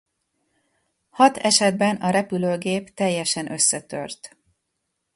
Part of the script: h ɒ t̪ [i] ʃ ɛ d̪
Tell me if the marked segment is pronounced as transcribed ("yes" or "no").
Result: no